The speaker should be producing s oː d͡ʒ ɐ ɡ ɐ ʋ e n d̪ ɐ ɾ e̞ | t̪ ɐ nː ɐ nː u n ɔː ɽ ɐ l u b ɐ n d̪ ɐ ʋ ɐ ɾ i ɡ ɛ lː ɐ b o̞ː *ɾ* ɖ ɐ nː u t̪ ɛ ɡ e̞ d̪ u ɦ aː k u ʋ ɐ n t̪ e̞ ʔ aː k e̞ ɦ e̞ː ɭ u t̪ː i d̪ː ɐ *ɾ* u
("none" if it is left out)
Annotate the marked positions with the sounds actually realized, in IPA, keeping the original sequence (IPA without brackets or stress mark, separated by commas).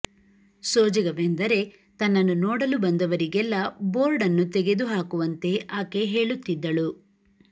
ɾ, ɭ